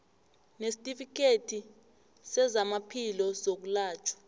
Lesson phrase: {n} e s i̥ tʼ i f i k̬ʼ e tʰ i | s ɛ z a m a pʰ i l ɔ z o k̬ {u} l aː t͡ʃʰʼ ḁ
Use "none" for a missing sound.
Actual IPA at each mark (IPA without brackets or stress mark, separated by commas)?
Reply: n, u